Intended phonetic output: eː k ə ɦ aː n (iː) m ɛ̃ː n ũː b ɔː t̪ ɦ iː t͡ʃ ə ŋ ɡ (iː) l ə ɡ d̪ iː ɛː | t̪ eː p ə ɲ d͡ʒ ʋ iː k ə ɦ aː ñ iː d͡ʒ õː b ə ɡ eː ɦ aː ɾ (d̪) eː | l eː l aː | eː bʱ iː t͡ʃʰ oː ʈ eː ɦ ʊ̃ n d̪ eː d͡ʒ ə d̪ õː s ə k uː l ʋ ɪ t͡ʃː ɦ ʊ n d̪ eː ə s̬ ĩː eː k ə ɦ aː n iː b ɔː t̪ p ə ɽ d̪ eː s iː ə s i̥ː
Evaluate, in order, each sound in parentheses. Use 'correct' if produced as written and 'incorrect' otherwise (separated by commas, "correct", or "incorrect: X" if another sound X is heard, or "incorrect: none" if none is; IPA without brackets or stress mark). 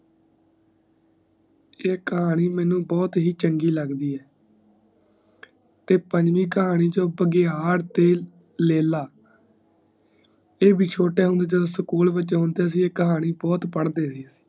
correct, correct, incorrect: t̪